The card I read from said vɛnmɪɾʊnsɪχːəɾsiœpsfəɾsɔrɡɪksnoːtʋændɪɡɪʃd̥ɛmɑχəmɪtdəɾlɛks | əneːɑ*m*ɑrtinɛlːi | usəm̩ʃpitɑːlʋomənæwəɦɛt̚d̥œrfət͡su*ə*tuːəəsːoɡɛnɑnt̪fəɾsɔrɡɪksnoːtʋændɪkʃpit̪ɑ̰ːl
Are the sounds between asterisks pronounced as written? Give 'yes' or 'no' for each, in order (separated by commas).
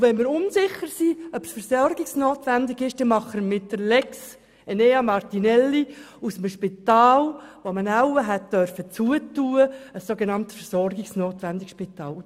yes, yes